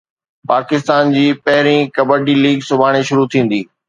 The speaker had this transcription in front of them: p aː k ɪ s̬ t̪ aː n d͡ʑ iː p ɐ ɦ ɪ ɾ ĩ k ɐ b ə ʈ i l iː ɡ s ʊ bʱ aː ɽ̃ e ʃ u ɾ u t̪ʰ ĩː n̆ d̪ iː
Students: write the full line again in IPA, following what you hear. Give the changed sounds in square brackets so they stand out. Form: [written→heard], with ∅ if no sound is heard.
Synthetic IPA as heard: p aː k ɪ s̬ t̪ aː n d͡ʑ iː p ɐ ɦ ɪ ɾ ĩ k ɐ b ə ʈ i l iː ɡ s ʊ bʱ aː ɽ̃ e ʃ [u→ʊ] ɾ u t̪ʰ ĩː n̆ d̪ iː